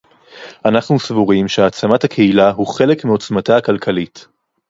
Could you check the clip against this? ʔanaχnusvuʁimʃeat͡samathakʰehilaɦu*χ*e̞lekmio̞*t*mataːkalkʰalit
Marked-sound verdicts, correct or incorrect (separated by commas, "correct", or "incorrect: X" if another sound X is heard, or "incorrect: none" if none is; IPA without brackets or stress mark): correct, incorrect: t͡s